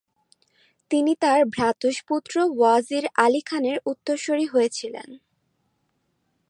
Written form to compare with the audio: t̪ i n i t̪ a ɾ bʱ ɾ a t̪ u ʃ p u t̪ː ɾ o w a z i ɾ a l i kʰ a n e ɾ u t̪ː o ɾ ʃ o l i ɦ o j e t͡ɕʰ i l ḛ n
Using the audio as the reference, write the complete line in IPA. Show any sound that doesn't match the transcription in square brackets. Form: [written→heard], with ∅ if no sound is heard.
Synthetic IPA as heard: t̪ i n i t̪ a ɾ bʱ ɾ a t̪ u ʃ p u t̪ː ɾ o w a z i ɾ a l i kʰ a n e ɾ u t̪ː o ɾ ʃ o [l→ɾ] i ɦ o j e t͡ɕʰ i l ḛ n